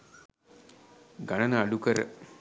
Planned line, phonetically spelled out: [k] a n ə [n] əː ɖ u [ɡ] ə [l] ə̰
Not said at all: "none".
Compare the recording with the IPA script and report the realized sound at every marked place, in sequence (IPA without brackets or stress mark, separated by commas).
ɡ, n, k, ɾ